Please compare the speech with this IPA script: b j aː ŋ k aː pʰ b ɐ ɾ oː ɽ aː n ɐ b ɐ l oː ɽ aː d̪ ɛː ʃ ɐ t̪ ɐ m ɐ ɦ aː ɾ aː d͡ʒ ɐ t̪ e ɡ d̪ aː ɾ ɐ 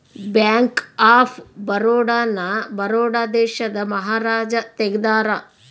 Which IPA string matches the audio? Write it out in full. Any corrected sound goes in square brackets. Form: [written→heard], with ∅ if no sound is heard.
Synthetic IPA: b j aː ŋ k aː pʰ b ɐ ɾ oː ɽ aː n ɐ b ɐ [l→ɾ] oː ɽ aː d̪ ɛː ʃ ɐ [t̪→d̪] ɐ m ɐ ɦ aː ɾ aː d͡ʒ ɐ t̪ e ɡ d̪ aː ɾ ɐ